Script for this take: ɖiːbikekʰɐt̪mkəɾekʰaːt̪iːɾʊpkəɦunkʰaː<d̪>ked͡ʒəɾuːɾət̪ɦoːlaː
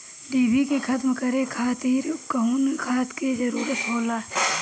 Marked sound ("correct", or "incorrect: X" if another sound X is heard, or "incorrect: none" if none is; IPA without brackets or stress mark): incorrect: t̪